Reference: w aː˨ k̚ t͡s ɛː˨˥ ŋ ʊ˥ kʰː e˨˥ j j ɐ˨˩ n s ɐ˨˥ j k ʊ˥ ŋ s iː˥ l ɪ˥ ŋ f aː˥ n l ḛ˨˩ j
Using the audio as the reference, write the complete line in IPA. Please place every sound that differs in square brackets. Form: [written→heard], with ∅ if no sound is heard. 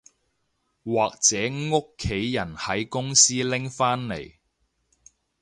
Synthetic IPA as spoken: w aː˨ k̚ t͡s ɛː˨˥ ŋ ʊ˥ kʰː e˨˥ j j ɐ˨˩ n [s→h] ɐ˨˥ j k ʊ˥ ŋ s iː˥ l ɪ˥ ŋ f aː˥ n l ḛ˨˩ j